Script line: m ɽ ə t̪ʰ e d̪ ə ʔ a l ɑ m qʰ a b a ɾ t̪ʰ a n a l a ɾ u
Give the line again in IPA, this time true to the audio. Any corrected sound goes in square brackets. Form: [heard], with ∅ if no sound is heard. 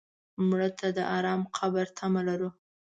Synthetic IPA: m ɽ ə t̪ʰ [a] d̪ ə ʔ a [ɾ] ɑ m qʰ a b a ɾ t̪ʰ a [m] a l a ɾ u

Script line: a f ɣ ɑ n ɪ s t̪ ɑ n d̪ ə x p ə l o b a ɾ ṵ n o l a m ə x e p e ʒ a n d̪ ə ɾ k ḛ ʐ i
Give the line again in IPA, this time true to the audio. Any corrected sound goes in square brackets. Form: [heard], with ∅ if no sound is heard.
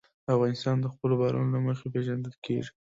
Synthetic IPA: a f ɣ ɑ n ɪ s t̪ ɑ n d̪ ə x p ə l o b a ɾ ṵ n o l a m ə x e p e ʒ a n d̪ ə [l] k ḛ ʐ i

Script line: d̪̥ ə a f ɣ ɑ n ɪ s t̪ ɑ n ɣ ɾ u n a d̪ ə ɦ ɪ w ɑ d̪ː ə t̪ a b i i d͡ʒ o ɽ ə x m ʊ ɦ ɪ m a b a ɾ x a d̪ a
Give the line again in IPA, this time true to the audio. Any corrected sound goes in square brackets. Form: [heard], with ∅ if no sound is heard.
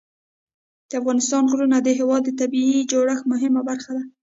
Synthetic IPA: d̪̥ ə a f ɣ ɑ n ɪ s t̪ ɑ n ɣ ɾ u n a d̪ ə ɦ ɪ w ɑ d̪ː ə t̪ a b i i d͡ʒ o ɽ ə x m ʊ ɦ ɪ m a b a ɾ x a d̪ a

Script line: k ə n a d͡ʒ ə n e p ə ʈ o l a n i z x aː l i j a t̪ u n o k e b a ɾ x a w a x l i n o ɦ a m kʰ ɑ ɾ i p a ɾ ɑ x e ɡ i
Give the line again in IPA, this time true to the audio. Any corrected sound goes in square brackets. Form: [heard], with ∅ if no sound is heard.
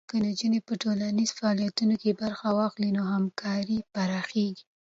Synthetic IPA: k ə n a d͡ʒ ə n e p ə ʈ o l a n i z [f] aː l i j a t̪ u n o k e b a ɾ x a w [ɑ] x l i n o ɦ a m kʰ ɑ ɾ i p a ɾ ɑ x e ɡ i

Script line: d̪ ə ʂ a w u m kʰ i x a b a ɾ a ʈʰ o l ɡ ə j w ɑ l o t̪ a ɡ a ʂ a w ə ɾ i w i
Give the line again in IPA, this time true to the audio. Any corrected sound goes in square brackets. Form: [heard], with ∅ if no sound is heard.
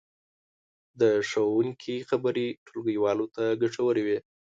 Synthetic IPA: d̪ ə ʂ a w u [ŋ] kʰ i x a b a ɾ [i] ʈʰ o l ɡ ə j w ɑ l o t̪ a ɡ a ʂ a w ə ɾ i w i

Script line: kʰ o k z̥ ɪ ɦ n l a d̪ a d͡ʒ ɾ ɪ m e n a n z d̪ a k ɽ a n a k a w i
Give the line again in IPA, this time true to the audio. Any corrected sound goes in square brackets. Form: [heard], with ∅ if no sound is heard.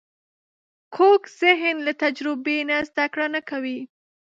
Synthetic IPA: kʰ o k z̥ ɪ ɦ n l a [t̪] a d͡ʒ ɾ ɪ [b] e n a [∅] z d̪ a k ɽ a n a k a w i

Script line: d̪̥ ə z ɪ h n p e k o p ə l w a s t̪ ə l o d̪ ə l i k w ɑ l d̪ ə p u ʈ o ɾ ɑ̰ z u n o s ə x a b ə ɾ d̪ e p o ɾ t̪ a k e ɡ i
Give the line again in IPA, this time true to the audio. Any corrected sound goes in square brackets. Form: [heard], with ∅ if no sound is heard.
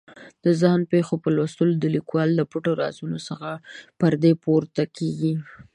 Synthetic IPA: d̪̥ ə z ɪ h n p e [x] o p ə l w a s t̪ ə l o d̪ ə l i k w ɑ l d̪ ə p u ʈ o ɾ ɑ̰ z u n o s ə x a [p] ə ɾ d̪ e p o ɾ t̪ a k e ɡ i

